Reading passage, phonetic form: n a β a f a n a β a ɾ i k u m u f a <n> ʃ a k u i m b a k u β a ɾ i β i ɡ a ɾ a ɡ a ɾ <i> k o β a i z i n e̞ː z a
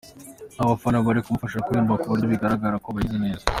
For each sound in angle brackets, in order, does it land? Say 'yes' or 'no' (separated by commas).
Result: no, no